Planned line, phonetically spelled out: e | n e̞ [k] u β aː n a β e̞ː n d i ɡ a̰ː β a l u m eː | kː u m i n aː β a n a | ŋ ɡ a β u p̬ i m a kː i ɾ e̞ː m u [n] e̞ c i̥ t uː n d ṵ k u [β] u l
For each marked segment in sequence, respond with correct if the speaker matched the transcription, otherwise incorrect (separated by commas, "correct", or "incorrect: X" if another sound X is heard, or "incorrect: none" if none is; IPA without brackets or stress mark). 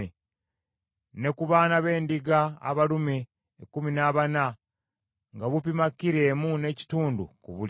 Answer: correct, correct, correct